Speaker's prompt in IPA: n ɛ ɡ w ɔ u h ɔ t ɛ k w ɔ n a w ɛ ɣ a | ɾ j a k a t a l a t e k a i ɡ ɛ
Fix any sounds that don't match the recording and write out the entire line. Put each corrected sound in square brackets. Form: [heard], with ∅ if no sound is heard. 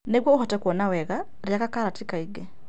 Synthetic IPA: n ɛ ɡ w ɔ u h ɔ t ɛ k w ɔ n a w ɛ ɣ a | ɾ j a k a [k] a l a t [i] k a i ɡ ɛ